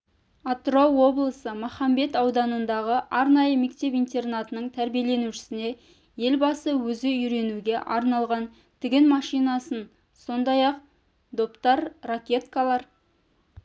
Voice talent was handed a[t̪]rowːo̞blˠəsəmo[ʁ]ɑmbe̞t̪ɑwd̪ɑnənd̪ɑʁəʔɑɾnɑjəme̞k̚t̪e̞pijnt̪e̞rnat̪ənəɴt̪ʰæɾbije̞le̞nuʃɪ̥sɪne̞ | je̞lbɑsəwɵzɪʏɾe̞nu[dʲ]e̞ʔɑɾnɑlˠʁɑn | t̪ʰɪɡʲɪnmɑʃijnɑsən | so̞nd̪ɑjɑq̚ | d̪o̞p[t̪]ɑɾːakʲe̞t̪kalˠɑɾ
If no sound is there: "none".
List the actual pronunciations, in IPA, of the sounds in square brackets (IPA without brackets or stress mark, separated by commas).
t̪, χ, ɡʲ, t̪